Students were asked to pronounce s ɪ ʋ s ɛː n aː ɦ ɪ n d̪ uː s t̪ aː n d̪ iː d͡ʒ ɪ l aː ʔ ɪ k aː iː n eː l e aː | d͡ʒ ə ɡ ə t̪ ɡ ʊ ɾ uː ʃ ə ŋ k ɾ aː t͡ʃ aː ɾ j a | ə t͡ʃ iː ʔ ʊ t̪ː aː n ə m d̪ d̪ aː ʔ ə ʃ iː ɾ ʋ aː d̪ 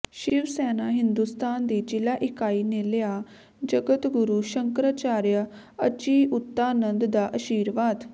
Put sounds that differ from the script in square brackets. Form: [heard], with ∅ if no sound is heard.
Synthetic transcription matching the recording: [ʃ] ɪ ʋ s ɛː n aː ɦ ɪ n d̪ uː s t̪ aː n d̪ iː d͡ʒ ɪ l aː ʔ ɪ k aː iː n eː l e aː | d͡ʒ ə ɡ ə t̪ ɡ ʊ ɾ uː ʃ ə ŋ k ɾ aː t͡ʃ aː ɾ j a | ə t͡ʃ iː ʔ ʊ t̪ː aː n ə [n] d̪ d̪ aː ʔ ə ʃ iː ɾ ʋ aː d̪